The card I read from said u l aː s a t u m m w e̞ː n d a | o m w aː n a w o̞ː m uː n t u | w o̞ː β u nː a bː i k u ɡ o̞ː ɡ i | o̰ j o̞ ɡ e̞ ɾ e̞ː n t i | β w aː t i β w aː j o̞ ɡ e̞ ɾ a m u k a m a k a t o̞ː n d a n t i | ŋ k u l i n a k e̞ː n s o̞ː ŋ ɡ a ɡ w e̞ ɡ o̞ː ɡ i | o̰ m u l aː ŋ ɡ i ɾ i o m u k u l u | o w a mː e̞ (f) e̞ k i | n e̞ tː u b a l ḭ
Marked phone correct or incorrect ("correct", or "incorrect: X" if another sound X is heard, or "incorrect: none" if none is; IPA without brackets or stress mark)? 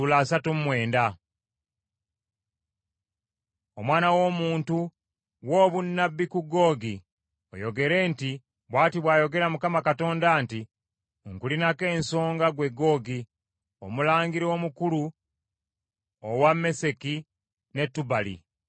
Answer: incorrect: s